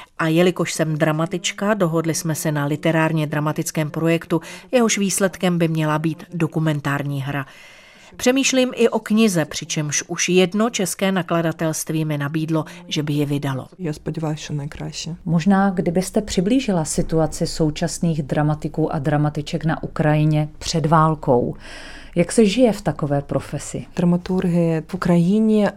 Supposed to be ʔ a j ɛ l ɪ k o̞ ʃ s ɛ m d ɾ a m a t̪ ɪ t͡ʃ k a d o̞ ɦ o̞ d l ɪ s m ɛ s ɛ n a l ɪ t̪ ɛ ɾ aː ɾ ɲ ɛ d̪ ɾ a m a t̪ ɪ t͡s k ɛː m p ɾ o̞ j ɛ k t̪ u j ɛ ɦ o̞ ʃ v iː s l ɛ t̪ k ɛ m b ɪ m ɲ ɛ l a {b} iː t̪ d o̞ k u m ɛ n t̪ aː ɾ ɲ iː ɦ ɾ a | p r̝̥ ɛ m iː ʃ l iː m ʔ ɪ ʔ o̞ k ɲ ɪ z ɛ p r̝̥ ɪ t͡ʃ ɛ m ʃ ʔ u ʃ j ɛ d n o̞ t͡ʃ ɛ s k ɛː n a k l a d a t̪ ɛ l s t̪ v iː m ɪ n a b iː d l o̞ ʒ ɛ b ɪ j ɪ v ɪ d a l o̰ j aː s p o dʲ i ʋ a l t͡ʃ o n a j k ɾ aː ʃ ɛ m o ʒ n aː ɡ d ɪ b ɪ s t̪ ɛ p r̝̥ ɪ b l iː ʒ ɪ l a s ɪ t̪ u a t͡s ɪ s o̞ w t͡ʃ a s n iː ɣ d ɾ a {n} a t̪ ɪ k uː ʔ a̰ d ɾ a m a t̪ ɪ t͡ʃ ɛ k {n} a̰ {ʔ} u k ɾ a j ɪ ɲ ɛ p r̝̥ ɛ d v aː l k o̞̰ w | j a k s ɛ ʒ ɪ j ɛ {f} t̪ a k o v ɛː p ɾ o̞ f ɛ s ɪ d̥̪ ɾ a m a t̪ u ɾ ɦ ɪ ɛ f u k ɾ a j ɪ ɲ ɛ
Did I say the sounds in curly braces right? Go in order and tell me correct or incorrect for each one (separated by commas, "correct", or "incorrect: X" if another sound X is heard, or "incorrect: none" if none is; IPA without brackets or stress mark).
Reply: correct, incorrect: m, correct, correct, correct